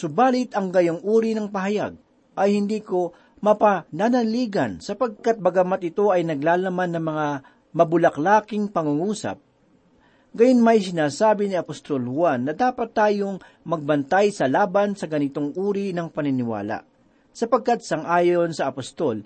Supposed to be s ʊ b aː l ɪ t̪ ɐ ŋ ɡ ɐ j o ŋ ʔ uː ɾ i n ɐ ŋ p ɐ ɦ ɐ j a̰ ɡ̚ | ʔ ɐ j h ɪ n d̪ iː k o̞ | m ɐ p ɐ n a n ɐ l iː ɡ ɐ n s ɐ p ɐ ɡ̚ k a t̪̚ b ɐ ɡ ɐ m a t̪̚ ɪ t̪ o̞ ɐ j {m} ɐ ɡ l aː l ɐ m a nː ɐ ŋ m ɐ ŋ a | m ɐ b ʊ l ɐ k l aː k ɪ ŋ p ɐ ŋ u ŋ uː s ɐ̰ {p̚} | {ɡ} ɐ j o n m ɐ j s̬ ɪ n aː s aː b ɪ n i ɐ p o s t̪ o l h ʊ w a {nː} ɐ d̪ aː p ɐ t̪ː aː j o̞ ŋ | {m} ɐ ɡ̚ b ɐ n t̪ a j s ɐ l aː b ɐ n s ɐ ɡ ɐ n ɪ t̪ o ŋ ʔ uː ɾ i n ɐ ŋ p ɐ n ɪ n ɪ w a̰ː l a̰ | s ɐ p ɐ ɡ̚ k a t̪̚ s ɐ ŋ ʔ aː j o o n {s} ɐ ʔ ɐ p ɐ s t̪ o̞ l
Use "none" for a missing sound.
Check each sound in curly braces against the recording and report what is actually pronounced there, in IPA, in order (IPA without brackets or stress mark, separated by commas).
n, p̚, ɡ, nː, m, s